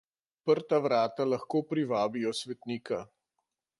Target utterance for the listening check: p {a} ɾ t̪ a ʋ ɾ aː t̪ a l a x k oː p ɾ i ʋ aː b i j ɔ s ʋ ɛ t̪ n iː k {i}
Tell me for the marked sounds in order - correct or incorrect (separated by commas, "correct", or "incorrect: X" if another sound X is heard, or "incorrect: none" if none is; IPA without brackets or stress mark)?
incorrect: ə, incorrect: a